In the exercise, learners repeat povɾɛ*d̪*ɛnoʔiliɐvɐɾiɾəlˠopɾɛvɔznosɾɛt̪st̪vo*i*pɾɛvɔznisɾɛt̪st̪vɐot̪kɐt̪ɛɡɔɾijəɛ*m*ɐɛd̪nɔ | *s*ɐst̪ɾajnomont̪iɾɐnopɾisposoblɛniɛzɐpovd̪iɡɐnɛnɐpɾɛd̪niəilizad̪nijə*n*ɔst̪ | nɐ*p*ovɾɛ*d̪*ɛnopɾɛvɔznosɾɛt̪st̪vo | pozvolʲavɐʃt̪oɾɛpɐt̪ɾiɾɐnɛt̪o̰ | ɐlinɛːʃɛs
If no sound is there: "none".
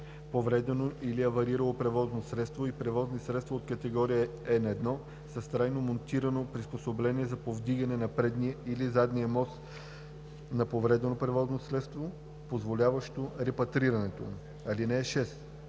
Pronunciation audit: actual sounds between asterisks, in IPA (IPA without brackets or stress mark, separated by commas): d̪, i, n, s, m, p, d̪